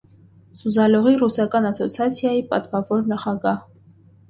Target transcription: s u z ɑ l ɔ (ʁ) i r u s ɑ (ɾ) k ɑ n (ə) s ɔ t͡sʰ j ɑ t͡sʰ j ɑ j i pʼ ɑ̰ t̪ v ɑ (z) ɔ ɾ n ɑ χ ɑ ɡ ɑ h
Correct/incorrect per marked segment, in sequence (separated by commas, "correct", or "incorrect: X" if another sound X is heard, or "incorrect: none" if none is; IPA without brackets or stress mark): correct, incorrect: none, incorrect: ɑ, incorrect: v